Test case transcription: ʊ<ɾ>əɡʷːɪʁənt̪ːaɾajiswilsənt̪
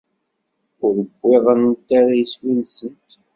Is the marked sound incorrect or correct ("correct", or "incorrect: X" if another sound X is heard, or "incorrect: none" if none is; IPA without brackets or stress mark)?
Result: correct